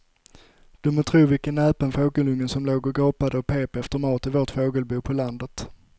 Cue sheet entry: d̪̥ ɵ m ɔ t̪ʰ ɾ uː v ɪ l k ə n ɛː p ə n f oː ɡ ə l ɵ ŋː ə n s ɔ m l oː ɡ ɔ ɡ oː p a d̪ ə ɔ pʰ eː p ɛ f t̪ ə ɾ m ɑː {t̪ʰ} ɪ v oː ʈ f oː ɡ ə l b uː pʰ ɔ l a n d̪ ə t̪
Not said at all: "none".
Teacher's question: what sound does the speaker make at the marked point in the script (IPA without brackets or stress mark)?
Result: t̪